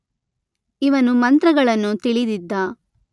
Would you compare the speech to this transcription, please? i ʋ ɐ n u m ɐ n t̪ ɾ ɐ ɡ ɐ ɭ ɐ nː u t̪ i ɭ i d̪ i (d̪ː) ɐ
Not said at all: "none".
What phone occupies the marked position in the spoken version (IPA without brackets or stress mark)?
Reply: d̪ː